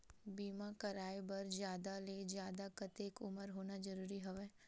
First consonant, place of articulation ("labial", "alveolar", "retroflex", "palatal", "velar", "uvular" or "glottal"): labial